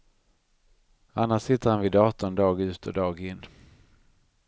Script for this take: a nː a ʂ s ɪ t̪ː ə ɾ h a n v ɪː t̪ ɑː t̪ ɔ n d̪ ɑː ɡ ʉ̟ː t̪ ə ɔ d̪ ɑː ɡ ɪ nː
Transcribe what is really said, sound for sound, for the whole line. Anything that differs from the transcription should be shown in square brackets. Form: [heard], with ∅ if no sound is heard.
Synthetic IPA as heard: a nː a ʂ s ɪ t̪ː ə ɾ h a n v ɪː [d̪] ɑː t̪ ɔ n d̪ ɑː ɡ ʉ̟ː t̪ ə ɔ d̪ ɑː ɡ ɪ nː